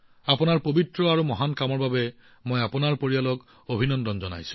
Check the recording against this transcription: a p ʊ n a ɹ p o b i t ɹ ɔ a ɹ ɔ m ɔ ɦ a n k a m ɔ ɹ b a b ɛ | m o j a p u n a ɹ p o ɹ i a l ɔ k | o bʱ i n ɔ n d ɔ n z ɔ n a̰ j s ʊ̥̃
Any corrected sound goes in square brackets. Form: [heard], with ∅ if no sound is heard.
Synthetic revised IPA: a p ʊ n a ɹ p o b i t ɹ ɔ a ɹ [u] m ɔ ɦ a n k a m ɔ ɹ b a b ɛ | m o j a p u n a ɹ p o ɹ i a l ɔ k | o bʱ i n ɔ n d ɔ n z ɔ n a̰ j s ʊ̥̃